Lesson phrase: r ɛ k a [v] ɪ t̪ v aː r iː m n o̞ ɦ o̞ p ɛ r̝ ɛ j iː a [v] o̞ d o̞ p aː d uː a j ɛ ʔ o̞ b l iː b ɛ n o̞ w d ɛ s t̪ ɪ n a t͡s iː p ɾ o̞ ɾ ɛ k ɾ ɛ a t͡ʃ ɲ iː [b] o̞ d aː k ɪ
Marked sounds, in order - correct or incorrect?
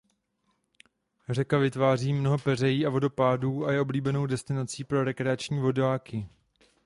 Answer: correct, correct, incorrect

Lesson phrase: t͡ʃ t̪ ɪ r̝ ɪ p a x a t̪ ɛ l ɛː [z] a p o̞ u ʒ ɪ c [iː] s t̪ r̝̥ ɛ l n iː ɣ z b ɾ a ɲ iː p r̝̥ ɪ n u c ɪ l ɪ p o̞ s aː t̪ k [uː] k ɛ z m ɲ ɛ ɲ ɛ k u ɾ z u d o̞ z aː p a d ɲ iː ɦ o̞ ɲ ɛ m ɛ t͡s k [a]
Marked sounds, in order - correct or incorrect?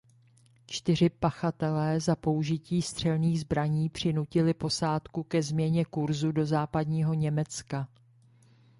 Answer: correct, correct, incorrect, correct

